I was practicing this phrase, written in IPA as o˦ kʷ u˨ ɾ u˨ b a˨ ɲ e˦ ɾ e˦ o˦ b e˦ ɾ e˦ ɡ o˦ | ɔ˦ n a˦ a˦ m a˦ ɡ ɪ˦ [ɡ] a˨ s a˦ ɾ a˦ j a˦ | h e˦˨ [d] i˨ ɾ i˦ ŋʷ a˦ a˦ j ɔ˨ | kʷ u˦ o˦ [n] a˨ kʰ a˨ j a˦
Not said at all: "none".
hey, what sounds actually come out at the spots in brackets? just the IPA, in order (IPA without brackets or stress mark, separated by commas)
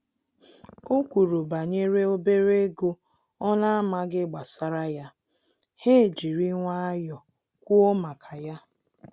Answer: ɡ͡b, d͡ʒ, m